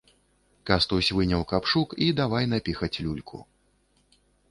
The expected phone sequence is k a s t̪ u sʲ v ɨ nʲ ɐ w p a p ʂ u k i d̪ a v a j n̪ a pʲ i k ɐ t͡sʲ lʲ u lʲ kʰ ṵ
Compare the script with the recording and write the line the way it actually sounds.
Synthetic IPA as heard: k a s t̪ u sʲ v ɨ nʲ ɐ w k a p ʂ u k i d̪ a v a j n̪ a pʲ i x ɐ t͡sʲ lʲ u lʲ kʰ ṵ